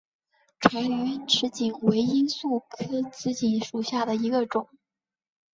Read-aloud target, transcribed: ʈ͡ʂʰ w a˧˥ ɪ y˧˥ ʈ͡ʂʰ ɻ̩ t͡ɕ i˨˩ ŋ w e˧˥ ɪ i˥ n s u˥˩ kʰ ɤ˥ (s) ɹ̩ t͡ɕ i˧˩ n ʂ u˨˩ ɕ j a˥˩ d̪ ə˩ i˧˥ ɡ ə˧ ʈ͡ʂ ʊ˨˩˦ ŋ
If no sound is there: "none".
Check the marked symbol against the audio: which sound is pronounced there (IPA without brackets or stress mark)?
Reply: t͡s